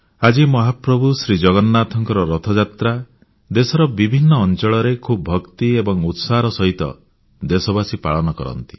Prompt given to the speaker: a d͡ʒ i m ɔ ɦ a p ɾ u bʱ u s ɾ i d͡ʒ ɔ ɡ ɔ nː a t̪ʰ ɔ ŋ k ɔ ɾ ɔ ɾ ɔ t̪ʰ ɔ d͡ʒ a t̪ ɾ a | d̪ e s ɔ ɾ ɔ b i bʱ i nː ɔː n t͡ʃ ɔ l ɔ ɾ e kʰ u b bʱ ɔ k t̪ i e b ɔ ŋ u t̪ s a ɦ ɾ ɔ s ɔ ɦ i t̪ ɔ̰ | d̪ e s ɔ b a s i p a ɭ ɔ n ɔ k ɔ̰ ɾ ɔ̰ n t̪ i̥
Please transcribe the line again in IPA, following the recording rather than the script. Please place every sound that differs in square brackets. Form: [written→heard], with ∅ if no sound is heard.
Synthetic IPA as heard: a d͡ʒ i m ɔ ɦ a p ɾ [u→ɔ] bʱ u s ɾ i d͡ʒ ɔ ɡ ɔ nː a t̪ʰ ɔ ŋ k ɔ ɾ ɔ ɾ ɔ t̪ʰ ɔ d͡ʒ a t̪ ɾ a | d̪ e s ɔ ɾ ɔ b i bʱ i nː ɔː n t͡ʃ ɔ [l→ɭ] ɔ ɾ e kʰ u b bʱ ɔ k t̪ i e b ɔ ŋ u t̪ s a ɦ ɾ ɔ s ɔ ɦ i t̪ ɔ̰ | d̪ e s ɔ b a s i p a ɭ ɔ n ɔ k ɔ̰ ɾ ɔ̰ n t̪ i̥